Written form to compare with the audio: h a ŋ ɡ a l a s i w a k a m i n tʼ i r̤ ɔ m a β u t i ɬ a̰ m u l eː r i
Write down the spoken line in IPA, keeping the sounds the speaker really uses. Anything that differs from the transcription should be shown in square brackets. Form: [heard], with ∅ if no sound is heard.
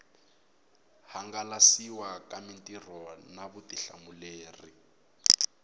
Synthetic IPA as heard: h a ŋ ɡ a l a s i w a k a m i n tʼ i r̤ ɔ [n] a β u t i ɬ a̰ m u l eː r i